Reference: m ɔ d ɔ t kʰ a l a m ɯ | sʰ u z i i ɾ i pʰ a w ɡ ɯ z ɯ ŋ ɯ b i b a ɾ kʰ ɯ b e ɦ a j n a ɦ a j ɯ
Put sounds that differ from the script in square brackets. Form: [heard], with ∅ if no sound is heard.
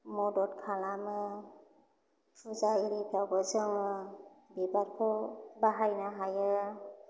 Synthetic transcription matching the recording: m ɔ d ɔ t kʰ a l a m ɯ | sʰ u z [a] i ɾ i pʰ a w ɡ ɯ z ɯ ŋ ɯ b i b a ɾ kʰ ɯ b [a] ɦ a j n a ɦ a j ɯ